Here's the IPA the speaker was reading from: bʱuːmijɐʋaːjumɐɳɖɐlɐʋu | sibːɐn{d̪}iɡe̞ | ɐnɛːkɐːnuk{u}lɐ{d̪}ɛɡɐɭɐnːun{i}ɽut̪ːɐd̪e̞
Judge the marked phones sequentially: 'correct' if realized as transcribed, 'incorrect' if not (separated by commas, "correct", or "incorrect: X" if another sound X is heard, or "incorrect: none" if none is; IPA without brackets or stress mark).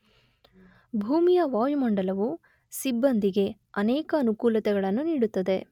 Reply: correct, incorrect: uː, incorrect: t̪, incorrect: iː